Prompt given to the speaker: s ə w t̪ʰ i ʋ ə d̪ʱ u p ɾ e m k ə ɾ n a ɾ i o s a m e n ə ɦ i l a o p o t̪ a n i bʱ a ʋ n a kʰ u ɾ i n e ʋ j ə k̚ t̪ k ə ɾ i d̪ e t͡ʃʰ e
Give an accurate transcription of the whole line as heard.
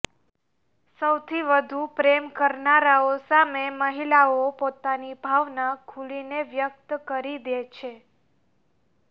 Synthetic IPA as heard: s ə w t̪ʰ i ʋ ə d̪ʱ u p ɾ e m k ə ɾ n a ɾ a o s a m e m ə ɦ i l a o p o t̪ a n i bʱ a ʋ n a kʰ u l i n e ʋ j ə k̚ t̪ k ə ɾ i d̪ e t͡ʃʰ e